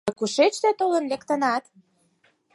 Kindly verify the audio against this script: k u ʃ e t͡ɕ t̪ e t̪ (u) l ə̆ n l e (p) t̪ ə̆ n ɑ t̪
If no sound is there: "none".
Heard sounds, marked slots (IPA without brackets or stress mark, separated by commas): o, k